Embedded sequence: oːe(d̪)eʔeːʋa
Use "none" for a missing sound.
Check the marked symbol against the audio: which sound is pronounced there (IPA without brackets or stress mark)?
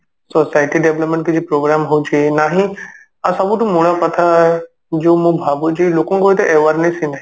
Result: t̪